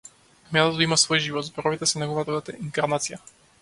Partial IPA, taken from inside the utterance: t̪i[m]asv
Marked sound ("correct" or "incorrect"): correct